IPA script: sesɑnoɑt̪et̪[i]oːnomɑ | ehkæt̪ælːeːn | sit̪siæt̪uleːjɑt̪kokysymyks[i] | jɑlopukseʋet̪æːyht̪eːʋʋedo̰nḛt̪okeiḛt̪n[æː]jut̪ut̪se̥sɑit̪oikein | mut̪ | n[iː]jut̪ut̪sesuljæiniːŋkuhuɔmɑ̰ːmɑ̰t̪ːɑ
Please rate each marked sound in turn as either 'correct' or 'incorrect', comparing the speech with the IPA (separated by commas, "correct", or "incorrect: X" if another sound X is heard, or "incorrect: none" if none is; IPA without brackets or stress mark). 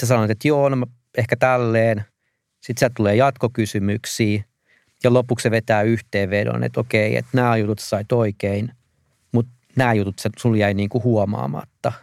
incorrect: j, incorrect: iː, correct, incorrect: æː